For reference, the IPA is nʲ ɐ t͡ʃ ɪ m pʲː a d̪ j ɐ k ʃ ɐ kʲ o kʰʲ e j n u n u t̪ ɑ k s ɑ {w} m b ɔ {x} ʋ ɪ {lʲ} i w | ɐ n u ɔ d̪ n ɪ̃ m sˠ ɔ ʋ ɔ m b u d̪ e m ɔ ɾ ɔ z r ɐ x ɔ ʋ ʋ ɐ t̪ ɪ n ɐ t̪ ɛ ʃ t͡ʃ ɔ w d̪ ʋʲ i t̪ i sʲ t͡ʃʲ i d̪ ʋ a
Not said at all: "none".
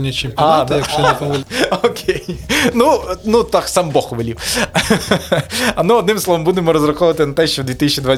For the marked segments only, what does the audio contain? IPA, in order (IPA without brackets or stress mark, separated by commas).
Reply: none, x, lʲ